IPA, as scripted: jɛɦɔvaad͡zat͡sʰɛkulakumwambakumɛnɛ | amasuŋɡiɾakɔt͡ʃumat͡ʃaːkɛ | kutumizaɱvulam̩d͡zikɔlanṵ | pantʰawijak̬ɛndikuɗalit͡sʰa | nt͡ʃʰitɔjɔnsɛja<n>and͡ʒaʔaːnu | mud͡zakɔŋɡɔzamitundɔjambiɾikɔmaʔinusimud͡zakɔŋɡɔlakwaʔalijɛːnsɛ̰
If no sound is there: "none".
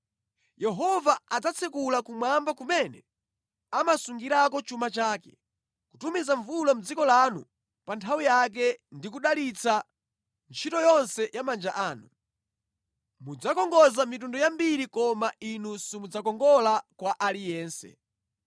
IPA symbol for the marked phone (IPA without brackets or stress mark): m